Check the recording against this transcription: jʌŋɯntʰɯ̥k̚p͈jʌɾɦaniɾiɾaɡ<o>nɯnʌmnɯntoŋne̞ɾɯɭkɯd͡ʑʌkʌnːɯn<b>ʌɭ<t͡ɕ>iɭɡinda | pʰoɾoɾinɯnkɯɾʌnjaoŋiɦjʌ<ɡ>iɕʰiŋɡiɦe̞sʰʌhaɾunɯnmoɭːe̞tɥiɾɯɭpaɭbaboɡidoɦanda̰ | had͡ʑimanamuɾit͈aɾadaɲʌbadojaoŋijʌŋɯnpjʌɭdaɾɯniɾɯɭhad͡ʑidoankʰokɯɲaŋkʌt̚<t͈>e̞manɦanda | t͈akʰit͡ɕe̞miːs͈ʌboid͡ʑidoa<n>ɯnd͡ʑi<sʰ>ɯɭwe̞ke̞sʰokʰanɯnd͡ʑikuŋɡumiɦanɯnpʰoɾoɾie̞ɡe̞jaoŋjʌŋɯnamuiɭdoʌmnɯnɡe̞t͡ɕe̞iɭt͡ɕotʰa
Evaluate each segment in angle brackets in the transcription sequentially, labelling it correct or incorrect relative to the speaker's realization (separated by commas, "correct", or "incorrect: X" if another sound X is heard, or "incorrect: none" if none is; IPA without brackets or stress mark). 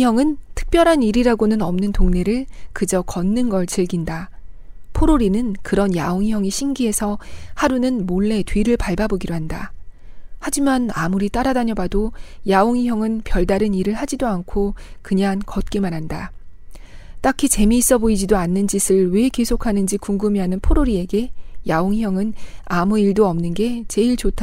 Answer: correct, incorrect: ɡ, correct, incorrect: ŋ, incorrect: k͈, incorrect: nː, correct